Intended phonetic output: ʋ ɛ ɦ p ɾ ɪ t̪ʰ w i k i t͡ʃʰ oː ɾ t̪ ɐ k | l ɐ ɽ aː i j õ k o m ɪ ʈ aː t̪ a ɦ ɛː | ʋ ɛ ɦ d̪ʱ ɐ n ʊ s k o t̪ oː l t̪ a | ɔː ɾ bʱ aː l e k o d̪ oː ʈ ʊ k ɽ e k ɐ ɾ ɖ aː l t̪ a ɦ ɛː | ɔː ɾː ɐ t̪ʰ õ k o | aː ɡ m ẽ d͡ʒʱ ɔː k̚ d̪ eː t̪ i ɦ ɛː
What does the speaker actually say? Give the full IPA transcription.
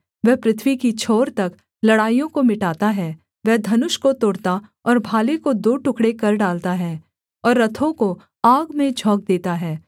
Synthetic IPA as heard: ʋ ɛ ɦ p ɾ ɪ t̪ʰ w i k i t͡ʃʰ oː ɾ t̪ ɐ k | l ɐ ɽ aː i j õ k o m ɪ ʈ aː t̪ a ɦ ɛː | ʋ ɛ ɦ d̪ʱ ɐ n ʊ ʃ k o t̪ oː ɽ t̪ a | ɔː ɾ bʱ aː l e k o d̪ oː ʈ ʊ k ɽ e k ɐ ɾ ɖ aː l t̪ a ɦ ɛː | ɔː ɾː ɐ t̪ʰ õ k o | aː ɡ m ẽ d͡ʒʱ ɔː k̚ d̪ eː t̪ a ɦ ɛː